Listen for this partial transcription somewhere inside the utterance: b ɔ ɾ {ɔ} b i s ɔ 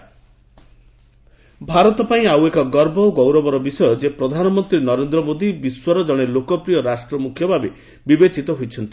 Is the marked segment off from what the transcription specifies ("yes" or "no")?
no